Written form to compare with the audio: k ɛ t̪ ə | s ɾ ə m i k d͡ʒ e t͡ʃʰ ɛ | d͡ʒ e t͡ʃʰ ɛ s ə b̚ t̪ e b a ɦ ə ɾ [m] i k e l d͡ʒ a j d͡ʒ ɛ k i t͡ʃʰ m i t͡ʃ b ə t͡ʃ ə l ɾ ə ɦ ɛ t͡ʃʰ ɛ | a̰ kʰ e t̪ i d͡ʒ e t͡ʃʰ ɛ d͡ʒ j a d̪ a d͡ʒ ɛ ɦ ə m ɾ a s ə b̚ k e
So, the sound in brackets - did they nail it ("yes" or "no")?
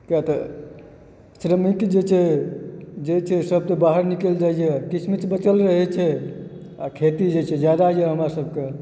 no